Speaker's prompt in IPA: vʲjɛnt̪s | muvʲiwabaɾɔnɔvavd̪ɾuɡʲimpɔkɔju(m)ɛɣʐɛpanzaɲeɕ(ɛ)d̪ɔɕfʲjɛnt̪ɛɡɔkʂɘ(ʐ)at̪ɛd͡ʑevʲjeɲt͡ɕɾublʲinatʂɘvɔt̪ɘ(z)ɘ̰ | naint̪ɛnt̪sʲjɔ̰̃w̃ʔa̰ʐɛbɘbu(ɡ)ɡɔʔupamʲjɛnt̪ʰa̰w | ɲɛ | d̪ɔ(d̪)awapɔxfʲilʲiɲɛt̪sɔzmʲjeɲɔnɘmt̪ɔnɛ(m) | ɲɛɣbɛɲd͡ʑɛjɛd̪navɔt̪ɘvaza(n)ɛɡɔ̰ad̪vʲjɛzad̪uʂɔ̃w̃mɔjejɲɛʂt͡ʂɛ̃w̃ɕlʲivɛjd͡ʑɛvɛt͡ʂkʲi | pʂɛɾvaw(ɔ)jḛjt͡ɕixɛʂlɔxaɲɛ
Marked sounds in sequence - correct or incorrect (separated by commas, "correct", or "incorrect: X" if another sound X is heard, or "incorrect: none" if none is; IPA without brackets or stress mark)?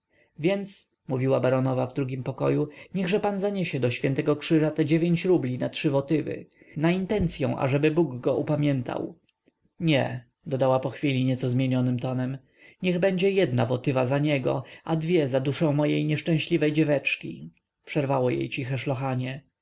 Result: incorrect: ɲ, correct, correct, incorrect: v, correct, correct, correct, incorrect: ɲ, correct